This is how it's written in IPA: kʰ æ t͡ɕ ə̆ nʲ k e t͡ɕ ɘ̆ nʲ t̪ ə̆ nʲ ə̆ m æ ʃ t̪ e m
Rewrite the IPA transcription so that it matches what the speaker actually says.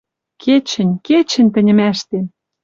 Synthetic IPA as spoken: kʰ e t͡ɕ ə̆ nʲ k e t͡ɕ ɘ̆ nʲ t̪ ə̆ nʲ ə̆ m æ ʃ t̪ e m